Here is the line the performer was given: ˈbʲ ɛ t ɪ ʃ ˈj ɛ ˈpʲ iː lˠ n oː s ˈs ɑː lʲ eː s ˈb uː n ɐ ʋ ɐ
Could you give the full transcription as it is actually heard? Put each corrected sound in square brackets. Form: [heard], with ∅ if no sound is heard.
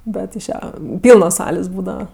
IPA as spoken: ˈbʲ ɛ t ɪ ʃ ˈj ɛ ˈpʲ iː lˠ n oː s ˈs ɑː lʲ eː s ˈb uː [d] ɐ ʋ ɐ